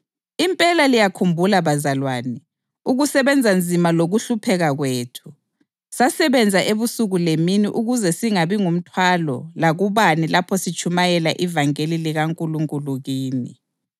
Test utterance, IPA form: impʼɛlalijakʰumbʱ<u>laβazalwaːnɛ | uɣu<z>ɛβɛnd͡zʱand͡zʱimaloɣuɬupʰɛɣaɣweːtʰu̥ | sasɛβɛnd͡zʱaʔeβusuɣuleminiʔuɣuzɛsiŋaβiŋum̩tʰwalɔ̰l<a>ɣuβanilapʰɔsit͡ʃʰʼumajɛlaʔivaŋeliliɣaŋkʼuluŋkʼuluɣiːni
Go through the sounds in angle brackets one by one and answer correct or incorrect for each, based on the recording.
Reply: correct, incorrect, correct

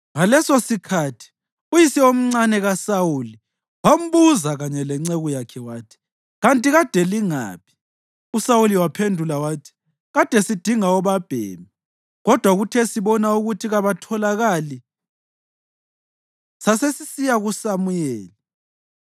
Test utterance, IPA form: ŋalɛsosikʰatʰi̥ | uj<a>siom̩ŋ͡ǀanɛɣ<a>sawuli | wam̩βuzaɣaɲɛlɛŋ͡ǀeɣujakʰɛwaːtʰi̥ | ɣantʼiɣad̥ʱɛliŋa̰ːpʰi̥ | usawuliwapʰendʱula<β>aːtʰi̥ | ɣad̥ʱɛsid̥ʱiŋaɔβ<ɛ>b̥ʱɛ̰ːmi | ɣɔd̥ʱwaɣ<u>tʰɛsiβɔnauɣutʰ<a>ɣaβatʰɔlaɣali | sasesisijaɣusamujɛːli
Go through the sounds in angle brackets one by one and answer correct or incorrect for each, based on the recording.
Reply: incorrect, correct, incorrect, incorrect, correct, incorrect

